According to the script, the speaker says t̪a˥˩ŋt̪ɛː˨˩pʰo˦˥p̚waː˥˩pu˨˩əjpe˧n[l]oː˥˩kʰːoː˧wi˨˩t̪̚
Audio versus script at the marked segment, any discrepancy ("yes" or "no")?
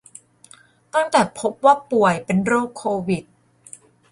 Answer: yes